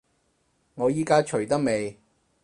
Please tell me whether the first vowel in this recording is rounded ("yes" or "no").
yes